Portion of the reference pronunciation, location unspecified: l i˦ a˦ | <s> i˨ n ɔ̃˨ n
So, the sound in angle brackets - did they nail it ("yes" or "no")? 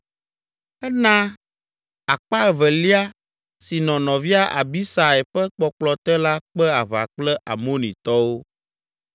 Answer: yes